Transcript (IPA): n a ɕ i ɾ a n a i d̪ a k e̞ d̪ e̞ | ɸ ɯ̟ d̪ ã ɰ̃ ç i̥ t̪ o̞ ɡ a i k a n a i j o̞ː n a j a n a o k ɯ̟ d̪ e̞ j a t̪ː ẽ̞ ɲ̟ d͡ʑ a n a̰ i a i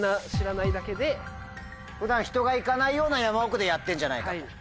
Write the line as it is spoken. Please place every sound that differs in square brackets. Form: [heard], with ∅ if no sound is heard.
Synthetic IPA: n a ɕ i ɾ a n a i d̪ a k e̞ d̪ e̞ | ɸ ɯ̟ d̪ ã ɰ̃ ç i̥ t̪ o̞ ɡ a i k a n a i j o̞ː n a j a [m] a o k ɯ̟ d̪ e̞ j a t̪ː ẽ̞ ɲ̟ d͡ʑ a n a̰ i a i